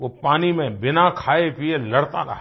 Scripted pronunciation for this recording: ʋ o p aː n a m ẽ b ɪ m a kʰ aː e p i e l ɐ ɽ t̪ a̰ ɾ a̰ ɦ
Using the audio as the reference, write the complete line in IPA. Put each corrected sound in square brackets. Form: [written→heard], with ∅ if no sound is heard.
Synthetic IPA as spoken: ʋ o p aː n [a→i] m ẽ b ɪ [m→n] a kʰ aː e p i e l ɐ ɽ t̪ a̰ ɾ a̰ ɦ

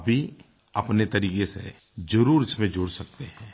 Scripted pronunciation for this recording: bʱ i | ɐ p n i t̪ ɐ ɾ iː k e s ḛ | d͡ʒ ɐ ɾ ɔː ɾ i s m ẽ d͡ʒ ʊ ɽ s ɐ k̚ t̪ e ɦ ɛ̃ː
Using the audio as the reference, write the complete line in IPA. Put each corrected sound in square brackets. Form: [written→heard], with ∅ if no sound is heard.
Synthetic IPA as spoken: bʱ i | ɐ p n [i→e] t̪ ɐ ɾ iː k e s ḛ | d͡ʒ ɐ ɾ [ɔː→uː] ɾ [i→ɪ] s m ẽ d͡ʒ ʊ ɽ s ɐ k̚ t̪ e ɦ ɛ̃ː

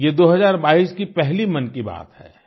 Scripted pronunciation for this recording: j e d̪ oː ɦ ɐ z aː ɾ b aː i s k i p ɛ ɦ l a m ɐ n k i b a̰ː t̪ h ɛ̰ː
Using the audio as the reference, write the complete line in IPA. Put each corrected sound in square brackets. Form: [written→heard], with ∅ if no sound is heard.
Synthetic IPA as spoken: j e d̪ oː ɦ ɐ z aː ɾ b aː i s k i p ɛ ɦ l [a→i] m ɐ n k i b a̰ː t̪ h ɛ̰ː

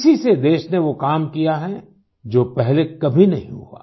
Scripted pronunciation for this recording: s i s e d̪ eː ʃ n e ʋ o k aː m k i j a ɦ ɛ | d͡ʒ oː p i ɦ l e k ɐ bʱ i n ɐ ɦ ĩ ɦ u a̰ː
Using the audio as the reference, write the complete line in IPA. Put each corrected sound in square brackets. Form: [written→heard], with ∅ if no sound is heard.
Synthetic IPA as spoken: s i s e d̪ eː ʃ n e ʋ o k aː m k i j a ɦ ɛ | d͡ʒ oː p [i→ɛ] ɦ l e k ɐ bʱ i n ɐ ɦ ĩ ɦ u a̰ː

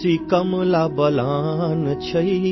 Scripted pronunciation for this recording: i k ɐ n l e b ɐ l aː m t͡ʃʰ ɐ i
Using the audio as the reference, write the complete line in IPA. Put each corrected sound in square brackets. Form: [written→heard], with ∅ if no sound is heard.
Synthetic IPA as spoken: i k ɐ [n→m] l [e→a] b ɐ l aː [m→n] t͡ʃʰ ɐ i

